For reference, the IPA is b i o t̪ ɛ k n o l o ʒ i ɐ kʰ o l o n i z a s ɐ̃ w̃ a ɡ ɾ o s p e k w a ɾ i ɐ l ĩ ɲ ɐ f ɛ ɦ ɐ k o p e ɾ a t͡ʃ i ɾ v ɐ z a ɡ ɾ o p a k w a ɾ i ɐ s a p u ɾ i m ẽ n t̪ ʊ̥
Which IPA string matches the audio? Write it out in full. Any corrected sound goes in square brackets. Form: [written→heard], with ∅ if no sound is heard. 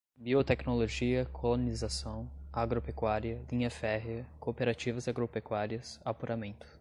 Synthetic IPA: b i o t̪ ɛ k n o l o ʒ i ɐ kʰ o l o n i z a s ɐ̃ w̃ a ɡ ɾ o [s→∅] p e k w a ɾ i ɐ l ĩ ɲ ɐ f ɛ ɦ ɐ k o p e ɾ a t͡ʃ i [ɾ→∅] v ɐ z a ɡ ɾ o p [a→e] k w a ɾ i ɐ s a p u ɾ [i→a] m ẽ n t̪ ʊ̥